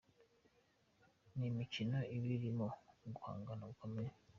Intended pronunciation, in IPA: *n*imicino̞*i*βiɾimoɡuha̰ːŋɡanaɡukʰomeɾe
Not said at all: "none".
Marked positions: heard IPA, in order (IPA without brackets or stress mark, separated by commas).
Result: n, i